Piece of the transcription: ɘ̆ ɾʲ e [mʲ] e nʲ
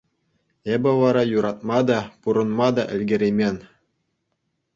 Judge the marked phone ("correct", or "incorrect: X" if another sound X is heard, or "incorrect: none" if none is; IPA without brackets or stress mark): correct